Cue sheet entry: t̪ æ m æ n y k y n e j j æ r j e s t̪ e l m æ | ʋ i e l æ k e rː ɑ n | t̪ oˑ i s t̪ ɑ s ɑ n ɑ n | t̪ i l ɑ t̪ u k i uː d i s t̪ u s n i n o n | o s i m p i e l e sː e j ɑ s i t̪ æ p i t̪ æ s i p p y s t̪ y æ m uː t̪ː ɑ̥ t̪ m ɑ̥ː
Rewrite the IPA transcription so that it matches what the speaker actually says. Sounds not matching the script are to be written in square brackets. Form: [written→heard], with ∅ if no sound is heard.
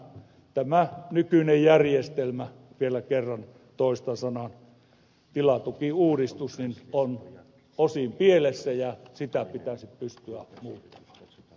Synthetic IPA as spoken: t̪ æ m æ n y k y n e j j æ r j e s t̪ e l m æ | ʋ i e l æ k e rː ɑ n | t̪ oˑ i s t̪ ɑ s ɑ n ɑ n | t̪ i l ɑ t̪ u k i uː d i s t̪ u s n i n o n | o s i m p i e l e sː [e→æ] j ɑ s i t̪ æ p i t̪ æ s i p p y s t̪ y æ m uː t̪ː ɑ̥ [t̪→∅] m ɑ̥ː